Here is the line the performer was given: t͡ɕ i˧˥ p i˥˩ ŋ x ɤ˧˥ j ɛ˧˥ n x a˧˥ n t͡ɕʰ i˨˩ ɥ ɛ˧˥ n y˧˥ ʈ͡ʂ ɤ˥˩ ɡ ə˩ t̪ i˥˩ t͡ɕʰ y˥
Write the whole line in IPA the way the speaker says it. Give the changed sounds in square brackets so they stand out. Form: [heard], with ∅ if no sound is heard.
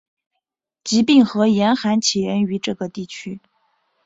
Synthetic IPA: t͡ɕ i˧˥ p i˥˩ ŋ x ɤ˧˥ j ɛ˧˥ n x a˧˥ n t͡ɕʰ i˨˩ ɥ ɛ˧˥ n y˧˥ ʈ͡ʂ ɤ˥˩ ɡ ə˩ t̪ i˥˩ t͡ɕʰ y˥